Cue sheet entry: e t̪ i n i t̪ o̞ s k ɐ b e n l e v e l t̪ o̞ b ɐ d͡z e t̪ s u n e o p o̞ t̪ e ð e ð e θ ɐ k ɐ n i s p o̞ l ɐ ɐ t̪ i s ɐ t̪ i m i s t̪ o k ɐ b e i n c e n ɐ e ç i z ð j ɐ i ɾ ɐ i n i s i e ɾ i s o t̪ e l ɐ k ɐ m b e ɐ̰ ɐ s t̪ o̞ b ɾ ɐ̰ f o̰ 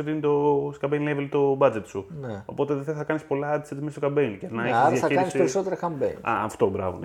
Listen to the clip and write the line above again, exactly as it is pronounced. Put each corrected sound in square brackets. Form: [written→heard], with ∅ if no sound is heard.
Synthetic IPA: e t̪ i n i t̪ o̞ s k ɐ b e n l e v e l t̪ o̞ b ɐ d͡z e t̪ s u n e o p o̞ t̪ e ð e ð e θ ɐ k ɐ n i s p o̞ l ɐ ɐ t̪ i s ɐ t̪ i m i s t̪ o k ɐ b e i n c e n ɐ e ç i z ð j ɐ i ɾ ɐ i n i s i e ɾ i s o t̪ e [l→ɾ] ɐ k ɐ m b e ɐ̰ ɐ [s→f] t̪ o̞ b ɾ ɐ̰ [f→v] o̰